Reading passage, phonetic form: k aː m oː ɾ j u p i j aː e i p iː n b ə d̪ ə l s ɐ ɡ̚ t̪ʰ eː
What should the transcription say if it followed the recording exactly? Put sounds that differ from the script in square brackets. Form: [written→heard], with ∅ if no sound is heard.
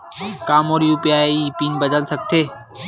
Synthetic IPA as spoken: k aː m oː ɾ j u p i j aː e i p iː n b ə d̪ ə l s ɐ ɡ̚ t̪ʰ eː